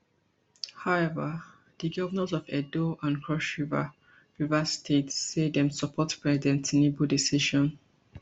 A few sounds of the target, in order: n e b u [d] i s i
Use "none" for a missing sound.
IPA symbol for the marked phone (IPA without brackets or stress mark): d